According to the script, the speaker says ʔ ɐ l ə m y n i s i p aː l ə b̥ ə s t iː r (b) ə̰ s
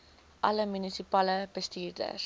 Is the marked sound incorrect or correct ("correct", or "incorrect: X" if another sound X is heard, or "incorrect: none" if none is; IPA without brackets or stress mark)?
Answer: incorrect: d